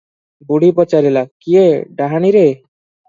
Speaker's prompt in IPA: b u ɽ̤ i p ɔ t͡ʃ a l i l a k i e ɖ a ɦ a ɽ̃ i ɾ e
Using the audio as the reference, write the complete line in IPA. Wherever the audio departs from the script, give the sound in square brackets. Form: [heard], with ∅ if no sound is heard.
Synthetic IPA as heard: b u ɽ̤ i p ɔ t͡ʃ a [ɾ] i l a k i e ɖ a ɦ a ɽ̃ i ɾ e